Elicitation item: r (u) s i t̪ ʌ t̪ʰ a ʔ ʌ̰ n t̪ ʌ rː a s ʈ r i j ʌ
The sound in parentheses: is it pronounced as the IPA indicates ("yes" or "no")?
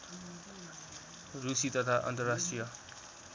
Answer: yes